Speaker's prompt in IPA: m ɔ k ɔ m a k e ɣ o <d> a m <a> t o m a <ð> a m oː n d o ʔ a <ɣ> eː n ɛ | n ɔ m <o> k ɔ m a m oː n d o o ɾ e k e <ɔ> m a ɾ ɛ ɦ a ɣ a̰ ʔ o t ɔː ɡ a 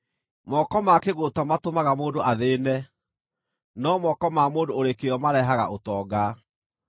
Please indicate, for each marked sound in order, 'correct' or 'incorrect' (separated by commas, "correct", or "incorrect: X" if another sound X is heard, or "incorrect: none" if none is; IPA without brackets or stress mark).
incorrect: t, correct, incorrect: ɣ, incorrect: ð, incorrect: ɔ, correct